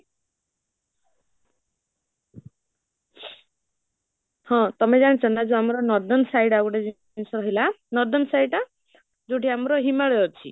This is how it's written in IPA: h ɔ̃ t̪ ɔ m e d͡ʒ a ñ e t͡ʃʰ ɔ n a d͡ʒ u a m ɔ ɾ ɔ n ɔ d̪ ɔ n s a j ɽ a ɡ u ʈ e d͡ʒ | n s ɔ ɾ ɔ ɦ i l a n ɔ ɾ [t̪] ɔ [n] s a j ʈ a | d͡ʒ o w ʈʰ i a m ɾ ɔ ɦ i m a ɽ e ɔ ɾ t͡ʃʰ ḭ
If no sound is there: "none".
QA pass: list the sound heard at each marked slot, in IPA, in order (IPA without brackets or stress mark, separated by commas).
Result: d̪, n